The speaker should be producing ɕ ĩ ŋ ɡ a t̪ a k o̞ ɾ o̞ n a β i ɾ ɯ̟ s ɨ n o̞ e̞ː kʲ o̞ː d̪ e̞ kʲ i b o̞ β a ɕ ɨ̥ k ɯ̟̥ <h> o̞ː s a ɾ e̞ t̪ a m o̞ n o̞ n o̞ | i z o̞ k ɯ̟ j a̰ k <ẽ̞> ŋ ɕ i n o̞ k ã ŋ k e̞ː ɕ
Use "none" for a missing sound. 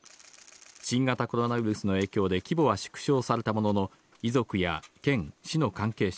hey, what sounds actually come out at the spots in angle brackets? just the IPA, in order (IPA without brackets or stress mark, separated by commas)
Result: ɕ, ẽ̞